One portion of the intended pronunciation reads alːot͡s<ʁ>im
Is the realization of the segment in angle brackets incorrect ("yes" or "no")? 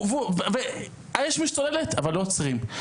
no